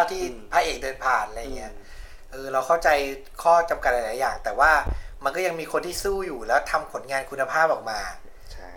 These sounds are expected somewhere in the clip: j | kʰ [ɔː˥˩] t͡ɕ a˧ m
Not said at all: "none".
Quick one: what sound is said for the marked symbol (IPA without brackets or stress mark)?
ɔː˥˩